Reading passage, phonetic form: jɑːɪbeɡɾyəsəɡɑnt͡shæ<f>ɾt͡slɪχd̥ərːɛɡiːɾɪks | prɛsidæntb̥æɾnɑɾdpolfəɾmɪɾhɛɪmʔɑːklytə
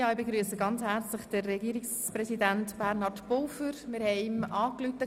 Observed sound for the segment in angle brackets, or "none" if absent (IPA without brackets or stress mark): none